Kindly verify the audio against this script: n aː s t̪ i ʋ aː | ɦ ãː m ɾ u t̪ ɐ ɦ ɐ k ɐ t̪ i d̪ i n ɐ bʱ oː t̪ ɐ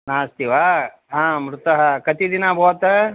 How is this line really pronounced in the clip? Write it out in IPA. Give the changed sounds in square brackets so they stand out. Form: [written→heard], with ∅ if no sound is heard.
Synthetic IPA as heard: n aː s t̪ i ʋ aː | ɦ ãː m ɾ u t̪ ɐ ɦ ɐ k ɐ t̪ i d̪ i n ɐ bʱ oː t̪ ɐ